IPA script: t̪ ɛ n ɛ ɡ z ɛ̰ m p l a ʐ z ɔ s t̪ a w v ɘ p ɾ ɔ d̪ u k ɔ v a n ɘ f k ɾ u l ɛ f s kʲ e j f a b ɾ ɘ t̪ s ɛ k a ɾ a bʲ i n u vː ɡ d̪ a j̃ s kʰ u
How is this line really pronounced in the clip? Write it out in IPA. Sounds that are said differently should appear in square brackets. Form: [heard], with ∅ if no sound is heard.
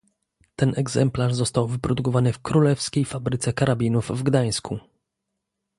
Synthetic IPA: t̪ ɛ n ɛ ɡ z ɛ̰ m p l a ʐ z ɔ s t̪ a w v ɘ p ɾ ɔ d̪ u k ɔ v a n ɘ f k ɾ u l ɛ f s kʲ e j f a b ɾ ɘ t̪ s ɛ k a ɾ a bʲ i n u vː ɡ d̪ a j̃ s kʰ u

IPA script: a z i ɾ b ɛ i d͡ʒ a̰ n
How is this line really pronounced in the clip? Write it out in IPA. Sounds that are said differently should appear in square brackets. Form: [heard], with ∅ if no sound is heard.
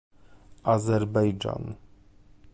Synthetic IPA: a z [ɛ] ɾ b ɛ [j] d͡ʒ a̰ n

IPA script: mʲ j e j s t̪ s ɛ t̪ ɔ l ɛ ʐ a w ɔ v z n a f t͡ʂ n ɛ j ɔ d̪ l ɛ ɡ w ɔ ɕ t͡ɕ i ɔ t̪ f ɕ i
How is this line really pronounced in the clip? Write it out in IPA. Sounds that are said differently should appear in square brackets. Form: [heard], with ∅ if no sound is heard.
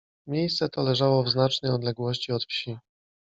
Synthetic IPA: mʲ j e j s t̪ s ɛ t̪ ɔ l ɛ ʐ a w ɔ v z n a [∅] t͡ʂ n ɛ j ɔ d̪ l ɛ ɡ w ɔ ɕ t͡ɕ i ɔ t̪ f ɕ i

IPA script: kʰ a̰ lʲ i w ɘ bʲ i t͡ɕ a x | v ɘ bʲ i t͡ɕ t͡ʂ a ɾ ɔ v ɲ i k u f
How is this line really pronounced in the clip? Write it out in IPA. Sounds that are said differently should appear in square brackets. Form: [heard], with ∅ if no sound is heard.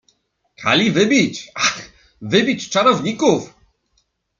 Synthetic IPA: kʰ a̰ lʲ i [v] ɘ bʲ i t͡ɕ a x | v ɘ bʲ i t͡ɕ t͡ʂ a ɾ ɔ v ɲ i k u f

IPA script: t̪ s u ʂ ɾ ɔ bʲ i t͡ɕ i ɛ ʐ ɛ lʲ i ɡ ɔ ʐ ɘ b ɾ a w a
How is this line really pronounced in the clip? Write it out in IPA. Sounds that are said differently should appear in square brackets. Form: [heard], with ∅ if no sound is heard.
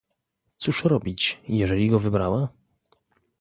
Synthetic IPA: t̪ s u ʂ ɾ ɔ bʲ i t͡ɕ [j] ɛ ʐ ɛ lʲ i ɡ ɔ [v] ɘ b ɾ a w a

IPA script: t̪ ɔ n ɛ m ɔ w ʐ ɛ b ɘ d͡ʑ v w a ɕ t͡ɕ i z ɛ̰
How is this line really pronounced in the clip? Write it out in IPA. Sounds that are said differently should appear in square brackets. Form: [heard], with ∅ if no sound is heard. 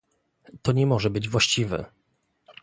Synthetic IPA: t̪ ɔ [ɲ] ɛ m ɔ [∅] ʐ ɛ b ɘ d͡ʑ v w a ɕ t͡ɕ i [v] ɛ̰

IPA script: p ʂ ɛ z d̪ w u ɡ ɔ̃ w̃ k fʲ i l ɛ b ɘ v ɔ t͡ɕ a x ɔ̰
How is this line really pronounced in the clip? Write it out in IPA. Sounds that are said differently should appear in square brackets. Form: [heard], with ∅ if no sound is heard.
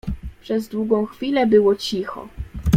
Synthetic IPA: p ʂ ɛ z d̪ w u ɡ ɔ̃ w̃ [x] fʲ i l ɛ b ɘ [w] ɔ t͡ɕ [i] x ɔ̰

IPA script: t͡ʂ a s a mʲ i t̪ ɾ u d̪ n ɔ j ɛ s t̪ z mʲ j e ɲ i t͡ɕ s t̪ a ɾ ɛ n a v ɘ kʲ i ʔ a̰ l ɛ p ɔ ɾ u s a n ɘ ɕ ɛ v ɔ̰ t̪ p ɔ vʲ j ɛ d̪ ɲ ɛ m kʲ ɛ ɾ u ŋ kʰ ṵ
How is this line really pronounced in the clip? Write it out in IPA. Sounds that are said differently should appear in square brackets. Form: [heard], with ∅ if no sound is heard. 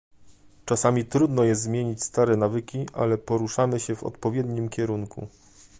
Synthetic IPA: t͡ʂ a s a mʲ i t̪ ɾ u d̪ n ɔ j ɛ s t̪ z mʲ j e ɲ i t͡ɕ s t̪ a ɾ ɛ n a v ɘ kʲ i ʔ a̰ l ɛ p ɔ ɾ u [ʂ] a [m] ɘ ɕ ɛ v ɔ̰ t̪ p ɔ vʲ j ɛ d̪ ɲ [i] m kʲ ɛ ɾ u ŋ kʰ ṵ

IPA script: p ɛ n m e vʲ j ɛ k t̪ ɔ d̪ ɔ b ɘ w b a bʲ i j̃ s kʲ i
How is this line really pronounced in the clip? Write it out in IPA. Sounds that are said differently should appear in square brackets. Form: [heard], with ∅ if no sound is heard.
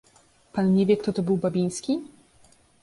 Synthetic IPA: p [a] n [ɲ] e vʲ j ɛ k t̪ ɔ [t̪] ɔ b ɘ w b a bʲ i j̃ s kʲ i

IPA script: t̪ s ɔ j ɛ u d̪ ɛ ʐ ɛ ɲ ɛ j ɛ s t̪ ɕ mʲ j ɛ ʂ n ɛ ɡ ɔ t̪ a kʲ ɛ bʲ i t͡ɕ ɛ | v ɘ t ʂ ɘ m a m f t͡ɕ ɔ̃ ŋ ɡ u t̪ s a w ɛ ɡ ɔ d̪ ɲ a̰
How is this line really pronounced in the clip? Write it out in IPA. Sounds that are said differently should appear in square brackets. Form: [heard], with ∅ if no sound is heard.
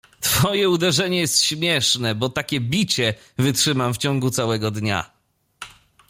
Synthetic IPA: t̪ [f] ɔ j ɛ u d̪ ɛ ʐ ɛ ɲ ɛ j ɛ s t̪ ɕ mʲ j ɛ ʂ n ɛ [b] ɔ t̪ a kʲ ɛ bʲ i t͡ɕ ɛ | v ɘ t ʂ ɘ m a m f t͡ɕ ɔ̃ ŋ ɡ u t̪ s a w ɛ ɡ ɔ d̪ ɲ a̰

